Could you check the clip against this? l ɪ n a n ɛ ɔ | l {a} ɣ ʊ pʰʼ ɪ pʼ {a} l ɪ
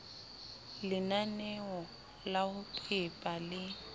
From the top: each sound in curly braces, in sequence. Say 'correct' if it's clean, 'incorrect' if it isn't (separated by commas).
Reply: correct, correct